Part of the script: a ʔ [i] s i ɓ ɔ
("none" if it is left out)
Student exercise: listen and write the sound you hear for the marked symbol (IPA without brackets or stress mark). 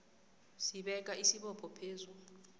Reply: i